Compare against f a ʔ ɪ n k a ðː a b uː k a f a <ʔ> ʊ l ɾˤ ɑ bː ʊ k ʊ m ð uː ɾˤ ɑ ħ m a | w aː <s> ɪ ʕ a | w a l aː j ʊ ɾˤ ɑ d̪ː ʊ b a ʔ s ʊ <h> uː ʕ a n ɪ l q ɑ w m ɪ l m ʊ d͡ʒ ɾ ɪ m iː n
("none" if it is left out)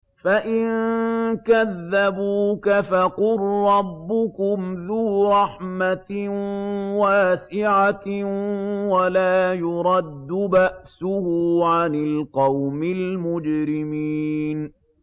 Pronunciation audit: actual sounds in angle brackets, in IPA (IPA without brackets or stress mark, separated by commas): q, s, h